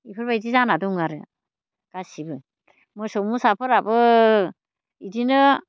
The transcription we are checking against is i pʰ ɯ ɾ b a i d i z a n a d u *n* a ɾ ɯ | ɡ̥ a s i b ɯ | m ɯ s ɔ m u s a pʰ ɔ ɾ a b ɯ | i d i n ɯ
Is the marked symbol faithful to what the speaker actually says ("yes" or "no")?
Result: no